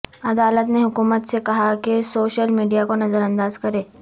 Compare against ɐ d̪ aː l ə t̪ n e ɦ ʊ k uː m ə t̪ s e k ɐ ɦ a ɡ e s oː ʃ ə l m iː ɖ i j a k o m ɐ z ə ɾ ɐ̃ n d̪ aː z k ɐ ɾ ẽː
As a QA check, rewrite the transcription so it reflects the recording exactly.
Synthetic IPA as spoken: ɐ d̪ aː l ə t̪ n e ɦ ʊ k uː m ə t̪ s e k ɐ ɦ a k e s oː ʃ ə l m iː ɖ i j a k o n ɐ z ə ɾ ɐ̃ n d̪ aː z k ɐ ɾ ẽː